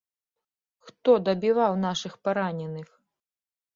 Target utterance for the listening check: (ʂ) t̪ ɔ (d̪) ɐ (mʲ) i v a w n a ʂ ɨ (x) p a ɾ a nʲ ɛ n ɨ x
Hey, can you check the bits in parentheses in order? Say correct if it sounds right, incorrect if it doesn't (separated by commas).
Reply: incorrect, correct, incorrect, correct